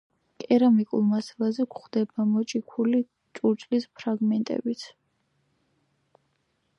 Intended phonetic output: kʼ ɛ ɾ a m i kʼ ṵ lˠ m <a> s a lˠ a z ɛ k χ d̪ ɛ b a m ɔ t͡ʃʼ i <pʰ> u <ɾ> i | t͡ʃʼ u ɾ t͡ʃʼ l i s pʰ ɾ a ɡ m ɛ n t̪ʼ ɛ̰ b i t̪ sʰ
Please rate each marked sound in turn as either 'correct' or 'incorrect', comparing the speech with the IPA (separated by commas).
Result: correct, incorrect, incorrect